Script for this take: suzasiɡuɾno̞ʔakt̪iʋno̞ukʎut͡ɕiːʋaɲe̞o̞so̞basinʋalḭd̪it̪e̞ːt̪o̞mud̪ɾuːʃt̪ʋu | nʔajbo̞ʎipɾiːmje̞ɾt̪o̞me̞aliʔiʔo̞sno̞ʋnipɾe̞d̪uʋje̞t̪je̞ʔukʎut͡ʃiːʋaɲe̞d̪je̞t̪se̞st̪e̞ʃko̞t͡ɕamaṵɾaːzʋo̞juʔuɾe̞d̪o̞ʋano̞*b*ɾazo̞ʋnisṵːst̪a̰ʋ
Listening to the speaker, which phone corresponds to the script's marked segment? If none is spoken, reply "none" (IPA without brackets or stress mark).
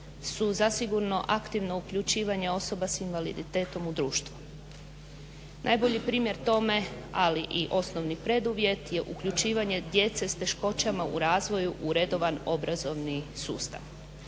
b